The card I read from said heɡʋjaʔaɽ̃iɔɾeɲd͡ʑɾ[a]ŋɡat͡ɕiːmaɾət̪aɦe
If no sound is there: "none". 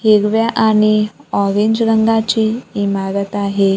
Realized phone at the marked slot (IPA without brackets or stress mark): ə